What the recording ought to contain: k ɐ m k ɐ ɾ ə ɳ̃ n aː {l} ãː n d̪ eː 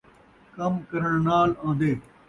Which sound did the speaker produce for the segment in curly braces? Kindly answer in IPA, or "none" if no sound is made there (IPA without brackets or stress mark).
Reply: l